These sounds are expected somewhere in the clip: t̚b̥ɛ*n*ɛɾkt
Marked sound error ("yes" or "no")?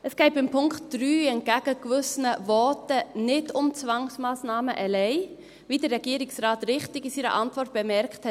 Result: yes